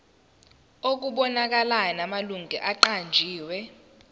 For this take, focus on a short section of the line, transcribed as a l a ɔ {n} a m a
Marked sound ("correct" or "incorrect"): correct